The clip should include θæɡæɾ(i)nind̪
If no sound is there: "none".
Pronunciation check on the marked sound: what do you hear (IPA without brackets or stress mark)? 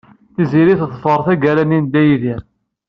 æ